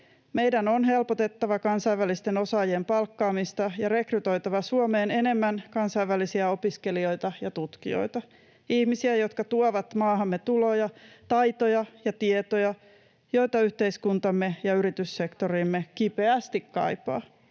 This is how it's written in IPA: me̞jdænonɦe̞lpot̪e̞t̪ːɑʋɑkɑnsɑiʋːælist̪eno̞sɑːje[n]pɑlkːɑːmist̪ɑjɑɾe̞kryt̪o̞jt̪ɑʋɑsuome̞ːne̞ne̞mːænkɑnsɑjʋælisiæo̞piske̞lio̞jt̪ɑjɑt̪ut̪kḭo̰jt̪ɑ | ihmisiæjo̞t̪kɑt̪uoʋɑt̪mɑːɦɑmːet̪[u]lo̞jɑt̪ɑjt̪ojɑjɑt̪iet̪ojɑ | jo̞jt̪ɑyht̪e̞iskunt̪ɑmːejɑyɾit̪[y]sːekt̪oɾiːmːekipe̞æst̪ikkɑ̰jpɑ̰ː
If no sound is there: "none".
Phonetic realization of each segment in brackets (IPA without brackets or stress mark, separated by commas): m, u, y